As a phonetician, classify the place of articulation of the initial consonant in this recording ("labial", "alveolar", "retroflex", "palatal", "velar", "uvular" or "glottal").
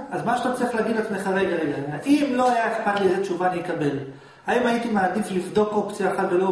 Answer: alveolar